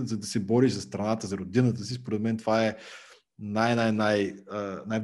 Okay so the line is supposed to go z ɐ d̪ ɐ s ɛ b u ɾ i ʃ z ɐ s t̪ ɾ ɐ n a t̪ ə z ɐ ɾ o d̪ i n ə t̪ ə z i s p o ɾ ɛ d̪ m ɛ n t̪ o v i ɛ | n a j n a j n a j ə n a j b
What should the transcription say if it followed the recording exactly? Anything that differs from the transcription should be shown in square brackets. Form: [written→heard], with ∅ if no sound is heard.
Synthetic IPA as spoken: z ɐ d̪ ɐ s ɛ b [u→ɔ] ɾ i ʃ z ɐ s t̪ ɾ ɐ n a t̪ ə z ɐ ɾ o d̪ i n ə t̪ ə [z→s] i s p o ɾ ɛ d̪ m ɛ n t̪ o v [i→a] ɛ | n a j n a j n a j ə n a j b